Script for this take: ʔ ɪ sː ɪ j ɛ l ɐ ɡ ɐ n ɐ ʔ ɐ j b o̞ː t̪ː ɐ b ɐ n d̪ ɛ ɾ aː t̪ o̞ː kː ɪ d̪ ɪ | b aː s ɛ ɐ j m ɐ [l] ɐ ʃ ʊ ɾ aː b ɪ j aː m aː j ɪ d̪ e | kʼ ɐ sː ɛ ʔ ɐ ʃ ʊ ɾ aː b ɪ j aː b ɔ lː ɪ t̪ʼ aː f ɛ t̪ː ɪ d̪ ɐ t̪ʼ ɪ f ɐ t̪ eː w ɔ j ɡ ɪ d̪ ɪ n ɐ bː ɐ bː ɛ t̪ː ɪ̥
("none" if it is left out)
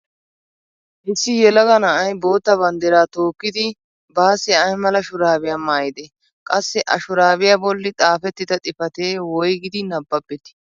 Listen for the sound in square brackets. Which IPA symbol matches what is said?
l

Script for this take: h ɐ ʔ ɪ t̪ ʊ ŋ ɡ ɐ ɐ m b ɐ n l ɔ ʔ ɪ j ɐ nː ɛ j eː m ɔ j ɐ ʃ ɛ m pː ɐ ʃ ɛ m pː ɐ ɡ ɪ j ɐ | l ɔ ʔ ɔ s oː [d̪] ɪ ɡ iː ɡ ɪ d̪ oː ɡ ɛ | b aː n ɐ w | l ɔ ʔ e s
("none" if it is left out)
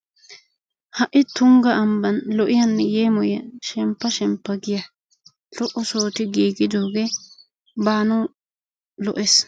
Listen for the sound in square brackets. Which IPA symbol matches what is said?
t̪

